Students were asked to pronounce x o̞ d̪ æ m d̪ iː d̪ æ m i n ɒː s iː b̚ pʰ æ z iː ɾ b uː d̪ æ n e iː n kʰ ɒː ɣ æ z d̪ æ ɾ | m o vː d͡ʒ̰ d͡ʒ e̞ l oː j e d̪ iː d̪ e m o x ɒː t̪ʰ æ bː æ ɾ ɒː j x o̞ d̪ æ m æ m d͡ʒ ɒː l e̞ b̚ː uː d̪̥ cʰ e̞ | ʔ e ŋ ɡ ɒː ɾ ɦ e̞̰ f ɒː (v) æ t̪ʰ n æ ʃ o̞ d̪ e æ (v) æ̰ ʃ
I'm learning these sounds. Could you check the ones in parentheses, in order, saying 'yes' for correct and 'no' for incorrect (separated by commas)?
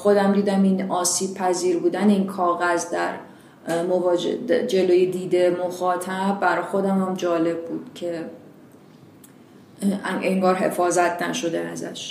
no, no